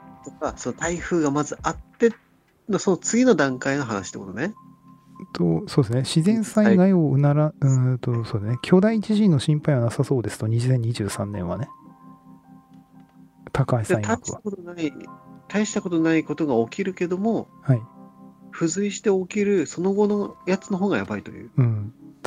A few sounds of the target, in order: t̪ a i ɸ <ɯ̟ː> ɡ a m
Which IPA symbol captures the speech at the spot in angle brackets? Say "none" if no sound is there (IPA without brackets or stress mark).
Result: ɯ̟ː